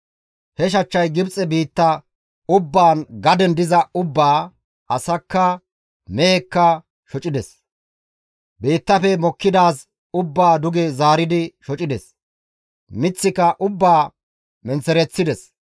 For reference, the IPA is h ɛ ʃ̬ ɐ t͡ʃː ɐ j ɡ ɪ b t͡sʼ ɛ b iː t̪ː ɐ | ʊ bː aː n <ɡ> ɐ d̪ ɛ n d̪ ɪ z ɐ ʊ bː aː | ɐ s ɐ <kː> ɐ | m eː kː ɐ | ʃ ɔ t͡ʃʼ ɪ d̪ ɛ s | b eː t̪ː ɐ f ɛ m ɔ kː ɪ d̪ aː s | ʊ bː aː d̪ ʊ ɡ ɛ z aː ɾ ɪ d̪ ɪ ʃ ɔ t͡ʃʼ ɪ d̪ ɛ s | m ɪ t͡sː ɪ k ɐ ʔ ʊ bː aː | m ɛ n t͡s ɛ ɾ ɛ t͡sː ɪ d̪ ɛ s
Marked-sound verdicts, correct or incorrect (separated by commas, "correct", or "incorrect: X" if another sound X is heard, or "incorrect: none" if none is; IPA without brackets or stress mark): correct, correct